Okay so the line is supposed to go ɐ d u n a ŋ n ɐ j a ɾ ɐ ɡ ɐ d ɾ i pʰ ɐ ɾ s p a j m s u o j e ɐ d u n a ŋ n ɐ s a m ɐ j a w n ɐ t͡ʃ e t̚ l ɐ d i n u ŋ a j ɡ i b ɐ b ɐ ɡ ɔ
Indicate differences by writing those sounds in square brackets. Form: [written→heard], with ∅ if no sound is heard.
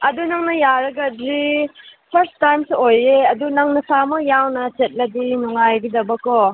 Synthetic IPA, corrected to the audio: ɐ d u n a ŋ n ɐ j a ɾ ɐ ɡ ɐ d ɾ i pʰ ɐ ɾ s [p→t] a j m s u o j e ɐ d u n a ŋ n ɐ s a m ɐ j a w n ɐ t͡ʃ e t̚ l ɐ d i n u ŋ a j ɡ i [b→d] ɐ b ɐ [ɡ→k] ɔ